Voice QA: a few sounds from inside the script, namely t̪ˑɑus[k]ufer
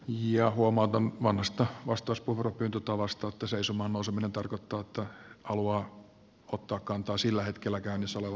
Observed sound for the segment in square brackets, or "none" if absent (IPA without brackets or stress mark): p